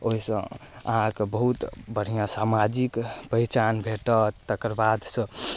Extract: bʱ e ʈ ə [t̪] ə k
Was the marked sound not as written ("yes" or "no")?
no